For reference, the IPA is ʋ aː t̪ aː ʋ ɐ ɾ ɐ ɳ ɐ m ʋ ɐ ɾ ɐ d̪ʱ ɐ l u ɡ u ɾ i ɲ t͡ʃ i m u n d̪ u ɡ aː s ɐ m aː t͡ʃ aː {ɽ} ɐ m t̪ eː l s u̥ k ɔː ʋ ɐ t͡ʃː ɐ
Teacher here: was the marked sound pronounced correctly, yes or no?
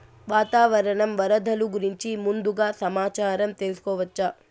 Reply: no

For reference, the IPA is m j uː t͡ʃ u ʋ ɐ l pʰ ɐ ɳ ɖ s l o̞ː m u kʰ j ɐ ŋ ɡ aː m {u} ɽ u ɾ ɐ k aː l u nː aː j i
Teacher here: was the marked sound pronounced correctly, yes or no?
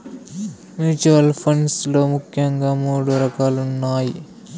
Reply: no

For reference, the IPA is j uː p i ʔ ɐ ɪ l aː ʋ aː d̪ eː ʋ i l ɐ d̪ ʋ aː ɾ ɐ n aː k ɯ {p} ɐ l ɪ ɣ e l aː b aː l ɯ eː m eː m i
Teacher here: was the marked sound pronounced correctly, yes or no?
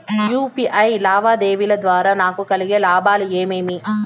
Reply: no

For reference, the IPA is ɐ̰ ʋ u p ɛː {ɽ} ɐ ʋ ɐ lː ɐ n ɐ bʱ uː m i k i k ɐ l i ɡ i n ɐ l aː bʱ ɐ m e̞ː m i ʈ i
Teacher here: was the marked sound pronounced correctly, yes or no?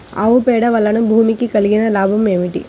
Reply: yes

